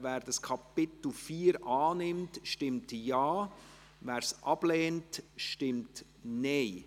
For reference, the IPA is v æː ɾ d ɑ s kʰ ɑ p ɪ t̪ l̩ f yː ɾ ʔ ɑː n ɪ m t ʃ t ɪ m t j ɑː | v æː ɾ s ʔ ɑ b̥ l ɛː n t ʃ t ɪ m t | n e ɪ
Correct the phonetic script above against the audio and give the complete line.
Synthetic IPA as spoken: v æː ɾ d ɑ s kʰ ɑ p ɪ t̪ l̩ f iː ɾ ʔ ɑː n ɪ m t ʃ t ɪ m t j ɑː | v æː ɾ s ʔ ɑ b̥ l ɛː n t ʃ t ɪ m t | n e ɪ